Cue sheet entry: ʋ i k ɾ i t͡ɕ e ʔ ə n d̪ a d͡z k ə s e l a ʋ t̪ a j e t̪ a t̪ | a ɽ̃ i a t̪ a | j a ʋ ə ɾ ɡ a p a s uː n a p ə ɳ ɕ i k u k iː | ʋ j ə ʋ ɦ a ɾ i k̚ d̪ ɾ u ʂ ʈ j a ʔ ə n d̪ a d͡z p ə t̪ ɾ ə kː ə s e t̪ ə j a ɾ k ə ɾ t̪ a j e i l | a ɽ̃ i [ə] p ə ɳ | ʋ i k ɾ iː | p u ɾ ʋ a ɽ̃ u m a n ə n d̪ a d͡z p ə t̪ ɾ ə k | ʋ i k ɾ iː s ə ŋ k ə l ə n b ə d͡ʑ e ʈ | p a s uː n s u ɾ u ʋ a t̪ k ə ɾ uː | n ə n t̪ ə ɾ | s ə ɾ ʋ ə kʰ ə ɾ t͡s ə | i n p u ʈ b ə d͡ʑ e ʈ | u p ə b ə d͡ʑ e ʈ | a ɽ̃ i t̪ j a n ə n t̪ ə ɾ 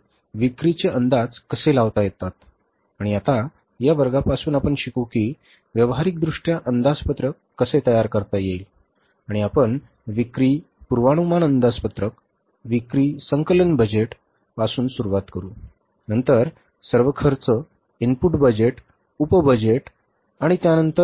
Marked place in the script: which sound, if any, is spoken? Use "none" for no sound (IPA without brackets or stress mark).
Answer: a